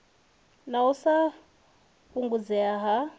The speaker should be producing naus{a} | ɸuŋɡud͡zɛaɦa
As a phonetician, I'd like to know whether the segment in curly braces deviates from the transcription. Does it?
no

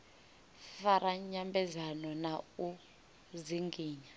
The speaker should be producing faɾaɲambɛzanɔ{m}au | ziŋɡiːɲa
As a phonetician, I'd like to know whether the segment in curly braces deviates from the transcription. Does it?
yes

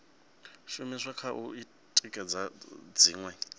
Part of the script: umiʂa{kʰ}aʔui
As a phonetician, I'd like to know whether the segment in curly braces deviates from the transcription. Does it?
no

